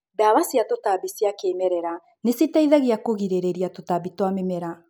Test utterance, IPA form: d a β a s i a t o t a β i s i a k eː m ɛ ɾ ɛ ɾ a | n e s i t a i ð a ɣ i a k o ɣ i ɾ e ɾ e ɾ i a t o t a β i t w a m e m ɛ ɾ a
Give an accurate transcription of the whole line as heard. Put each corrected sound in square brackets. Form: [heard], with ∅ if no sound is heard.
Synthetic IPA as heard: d a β a s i a t o t a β i s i a k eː m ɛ ɾ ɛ ɾ a | n e s i t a i ð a ɣ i a k o ɣ i ɾ e ɾ e ɾ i a t o t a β i t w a m e m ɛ ɾ a